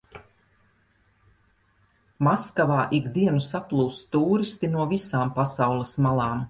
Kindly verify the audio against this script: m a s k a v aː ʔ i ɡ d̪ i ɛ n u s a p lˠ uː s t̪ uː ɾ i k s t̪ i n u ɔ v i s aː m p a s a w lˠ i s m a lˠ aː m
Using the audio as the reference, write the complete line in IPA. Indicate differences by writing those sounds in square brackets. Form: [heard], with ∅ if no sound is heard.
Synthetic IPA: m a s k a v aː ʔ i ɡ d̪ i ɛ n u s a p lˠ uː s t̪ uː ɾ i [∅] s t̪ i n u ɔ v i s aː m p a s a w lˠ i s m a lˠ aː m